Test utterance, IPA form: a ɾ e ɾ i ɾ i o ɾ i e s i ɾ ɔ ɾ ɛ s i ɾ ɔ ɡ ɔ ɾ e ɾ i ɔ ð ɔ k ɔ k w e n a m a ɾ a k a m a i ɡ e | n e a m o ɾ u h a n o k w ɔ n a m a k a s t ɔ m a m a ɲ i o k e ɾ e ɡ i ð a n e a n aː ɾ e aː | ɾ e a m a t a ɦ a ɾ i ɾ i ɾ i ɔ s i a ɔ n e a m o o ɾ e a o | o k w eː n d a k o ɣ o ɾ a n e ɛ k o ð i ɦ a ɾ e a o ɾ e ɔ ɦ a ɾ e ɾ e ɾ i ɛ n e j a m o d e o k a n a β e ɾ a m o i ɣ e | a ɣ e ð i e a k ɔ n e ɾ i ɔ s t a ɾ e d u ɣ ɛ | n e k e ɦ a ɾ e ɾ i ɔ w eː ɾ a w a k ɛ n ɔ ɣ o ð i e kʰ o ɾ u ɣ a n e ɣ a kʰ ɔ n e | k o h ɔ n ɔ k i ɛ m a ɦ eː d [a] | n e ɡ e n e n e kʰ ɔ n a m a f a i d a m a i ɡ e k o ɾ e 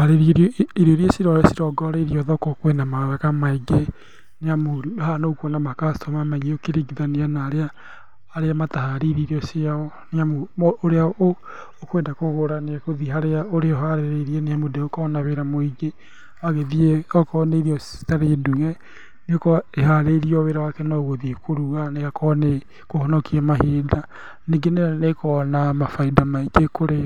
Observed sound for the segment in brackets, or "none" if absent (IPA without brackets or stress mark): a